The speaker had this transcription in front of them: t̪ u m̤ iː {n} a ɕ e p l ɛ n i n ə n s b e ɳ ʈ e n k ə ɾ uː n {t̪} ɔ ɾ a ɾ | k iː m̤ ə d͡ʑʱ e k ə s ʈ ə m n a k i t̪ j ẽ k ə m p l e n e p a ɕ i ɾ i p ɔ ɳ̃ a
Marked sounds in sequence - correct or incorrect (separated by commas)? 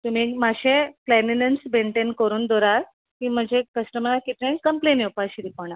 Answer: incorrect, incorrect